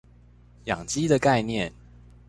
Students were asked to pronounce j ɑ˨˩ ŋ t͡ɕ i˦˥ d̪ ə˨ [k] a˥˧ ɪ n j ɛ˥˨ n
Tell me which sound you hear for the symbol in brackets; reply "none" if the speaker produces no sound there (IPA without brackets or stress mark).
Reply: k